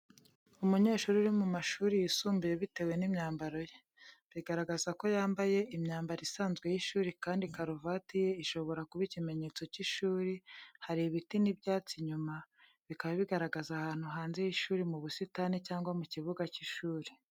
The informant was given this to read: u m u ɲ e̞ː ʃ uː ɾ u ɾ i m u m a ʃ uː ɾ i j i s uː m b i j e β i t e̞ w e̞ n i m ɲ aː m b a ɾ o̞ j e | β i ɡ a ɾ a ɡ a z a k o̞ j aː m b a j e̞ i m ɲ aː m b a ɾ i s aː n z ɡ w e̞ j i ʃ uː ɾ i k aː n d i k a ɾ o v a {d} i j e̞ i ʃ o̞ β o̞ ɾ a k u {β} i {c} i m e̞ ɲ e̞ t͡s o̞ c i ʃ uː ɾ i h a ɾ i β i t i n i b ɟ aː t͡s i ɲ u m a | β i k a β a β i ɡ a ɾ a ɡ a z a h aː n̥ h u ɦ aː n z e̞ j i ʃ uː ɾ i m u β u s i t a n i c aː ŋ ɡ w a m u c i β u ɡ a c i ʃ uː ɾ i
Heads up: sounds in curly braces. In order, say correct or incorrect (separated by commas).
incorrect, correct, correct